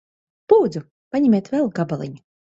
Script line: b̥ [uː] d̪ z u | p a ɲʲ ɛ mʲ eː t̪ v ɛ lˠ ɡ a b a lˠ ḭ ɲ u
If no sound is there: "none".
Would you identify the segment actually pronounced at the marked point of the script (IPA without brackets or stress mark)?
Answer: uː